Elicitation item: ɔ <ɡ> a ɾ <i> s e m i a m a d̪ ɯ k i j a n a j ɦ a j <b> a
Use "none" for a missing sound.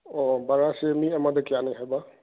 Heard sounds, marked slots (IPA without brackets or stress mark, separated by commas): b, a, b